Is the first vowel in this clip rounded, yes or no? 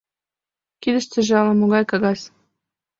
no